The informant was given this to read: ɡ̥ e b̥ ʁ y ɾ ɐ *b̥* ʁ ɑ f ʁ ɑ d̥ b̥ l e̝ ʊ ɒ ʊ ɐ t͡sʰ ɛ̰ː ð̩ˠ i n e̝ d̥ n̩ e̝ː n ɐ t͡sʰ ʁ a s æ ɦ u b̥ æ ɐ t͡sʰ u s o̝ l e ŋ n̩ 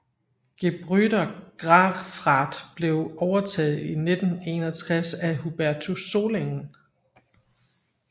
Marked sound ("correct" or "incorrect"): incorrect